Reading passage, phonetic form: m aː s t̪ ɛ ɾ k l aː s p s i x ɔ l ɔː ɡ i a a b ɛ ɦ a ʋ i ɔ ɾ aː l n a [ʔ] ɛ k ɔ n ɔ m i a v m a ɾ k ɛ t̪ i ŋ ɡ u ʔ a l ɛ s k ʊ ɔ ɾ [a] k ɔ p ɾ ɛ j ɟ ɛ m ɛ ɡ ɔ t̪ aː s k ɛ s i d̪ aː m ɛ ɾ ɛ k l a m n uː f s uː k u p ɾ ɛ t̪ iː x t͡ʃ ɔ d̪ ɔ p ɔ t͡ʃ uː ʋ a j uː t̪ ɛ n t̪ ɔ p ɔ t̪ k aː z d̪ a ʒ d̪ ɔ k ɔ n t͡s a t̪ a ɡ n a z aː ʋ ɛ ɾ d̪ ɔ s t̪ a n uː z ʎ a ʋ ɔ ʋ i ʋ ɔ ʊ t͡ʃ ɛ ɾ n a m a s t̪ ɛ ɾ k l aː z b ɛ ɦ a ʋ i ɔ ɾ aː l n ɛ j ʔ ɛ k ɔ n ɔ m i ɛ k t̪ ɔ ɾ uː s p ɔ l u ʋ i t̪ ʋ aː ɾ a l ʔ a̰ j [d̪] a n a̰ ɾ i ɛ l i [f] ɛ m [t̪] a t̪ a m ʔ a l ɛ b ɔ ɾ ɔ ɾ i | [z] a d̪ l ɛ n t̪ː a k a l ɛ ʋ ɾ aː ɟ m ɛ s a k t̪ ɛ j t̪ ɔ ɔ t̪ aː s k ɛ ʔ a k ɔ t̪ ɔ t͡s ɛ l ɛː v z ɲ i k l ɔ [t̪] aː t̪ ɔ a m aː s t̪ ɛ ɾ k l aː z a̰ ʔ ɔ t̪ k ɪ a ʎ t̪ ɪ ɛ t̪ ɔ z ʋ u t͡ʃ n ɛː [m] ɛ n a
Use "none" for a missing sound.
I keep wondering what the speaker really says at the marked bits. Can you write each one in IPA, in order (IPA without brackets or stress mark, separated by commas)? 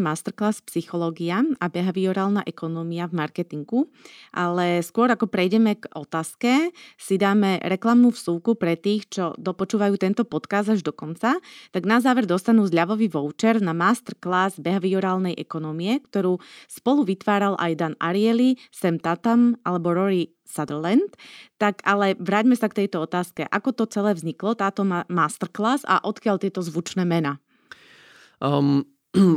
ʔ, a, d̪, s, t̪, s, t̪, m